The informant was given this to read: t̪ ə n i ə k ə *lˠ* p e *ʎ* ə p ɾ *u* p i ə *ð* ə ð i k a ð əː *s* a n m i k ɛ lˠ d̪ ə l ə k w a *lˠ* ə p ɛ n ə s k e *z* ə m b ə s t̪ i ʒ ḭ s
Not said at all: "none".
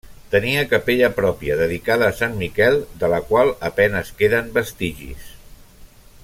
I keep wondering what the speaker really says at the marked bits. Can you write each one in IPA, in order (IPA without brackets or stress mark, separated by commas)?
none, ʎ, ɔ, ð, s, lˠ, ð